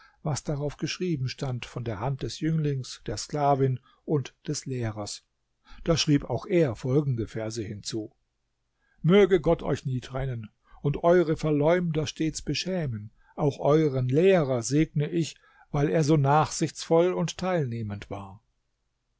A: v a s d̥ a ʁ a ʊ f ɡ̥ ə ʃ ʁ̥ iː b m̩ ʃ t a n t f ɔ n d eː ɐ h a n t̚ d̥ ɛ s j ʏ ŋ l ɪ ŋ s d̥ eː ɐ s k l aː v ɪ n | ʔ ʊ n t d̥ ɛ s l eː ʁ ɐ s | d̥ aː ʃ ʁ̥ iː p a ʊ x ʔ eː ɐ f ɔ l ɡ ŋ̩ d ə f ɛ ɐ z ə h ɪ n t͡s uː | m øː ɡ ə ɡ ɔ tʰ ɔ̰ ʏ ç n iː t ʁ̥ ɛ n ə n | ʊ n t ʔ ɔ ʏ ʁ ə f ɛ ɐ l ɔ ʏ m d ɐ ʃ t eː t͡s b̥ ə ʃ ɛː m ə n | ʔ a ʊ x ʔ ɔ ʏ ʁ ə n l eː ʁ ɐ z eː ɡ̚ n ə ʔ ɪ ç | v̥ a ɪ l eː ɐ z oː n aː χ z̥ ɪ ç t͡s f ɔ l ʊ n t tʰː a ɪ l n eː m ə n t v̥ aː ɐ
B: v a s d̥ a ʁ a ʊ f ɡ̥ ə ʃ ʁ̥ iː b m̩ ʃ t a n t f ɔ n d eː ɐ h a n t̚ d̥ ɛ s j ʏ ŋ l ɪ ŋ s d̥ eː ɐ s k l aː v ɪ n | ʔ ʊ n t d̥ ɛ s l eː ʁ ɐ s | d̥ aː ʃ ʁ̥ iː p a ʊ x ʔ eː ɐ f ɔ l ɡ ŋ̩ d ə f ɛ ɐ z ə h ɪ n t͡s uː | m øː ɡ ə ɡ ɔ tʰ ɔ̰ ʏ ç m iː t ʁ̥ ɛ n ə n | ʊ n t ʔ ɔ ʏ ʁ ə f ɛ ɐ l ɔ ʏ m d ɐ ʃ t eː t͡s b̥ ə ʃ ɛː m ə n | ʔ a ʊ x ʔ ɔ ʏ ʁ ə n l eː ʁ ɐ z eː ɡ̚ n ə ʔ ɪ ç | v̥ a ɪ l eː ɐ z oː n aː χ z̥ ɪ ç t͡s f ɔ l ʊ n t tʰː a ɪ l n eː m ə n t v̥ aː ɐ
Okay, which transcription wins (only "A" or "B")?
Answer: A